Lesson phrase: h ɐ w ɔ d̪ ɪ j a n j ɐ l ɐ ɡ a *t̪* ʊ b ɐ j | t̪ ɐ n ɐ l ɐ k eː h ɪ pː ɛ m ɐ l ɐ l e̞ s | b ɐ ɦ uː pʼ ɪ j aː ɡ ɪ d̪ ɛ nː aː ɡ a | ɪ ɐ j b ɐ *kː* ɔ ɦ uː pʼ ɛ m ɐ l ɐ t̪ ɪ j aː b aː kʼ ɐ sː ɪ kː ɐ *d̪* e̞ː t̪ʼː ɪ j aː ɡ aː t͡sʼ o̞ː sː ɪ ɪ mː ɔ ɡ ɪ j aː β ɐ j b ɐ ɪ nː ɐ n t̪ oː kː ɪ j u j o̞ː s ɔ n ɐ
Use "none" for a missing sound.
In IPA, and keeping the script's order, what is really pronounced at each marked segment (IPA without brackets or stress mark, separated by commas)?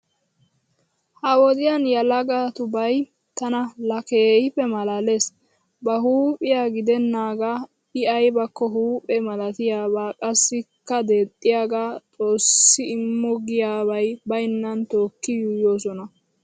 t̪, kː, d̪